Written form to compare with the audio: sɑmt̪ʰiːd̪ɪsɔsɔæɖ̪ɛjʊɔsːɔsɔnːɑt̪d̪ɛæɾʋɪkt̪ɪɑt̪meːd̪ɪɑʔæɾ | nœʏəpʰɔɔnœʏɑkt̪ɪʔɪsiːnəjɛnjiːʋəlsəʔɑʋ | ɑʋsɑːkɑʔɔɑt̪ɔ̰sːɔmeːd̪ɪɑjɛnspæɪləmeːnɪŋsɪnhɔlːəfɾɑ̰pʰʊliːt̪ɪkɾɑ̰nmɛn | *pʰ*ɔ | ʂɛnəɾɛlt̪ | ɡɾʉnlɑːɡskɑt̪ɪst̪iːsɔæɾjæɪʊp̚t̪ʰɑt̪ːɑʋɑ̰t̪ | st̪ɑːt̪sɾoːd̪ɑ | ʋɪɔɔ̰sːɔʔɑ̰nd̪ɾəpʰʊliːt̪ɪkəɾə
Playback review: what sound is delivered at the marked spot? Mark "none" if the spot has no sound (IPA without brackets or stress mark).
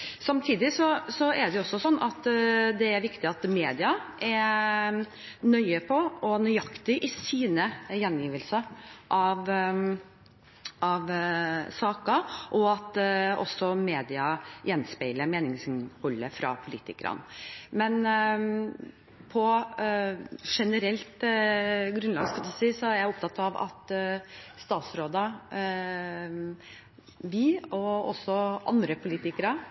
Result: pʰ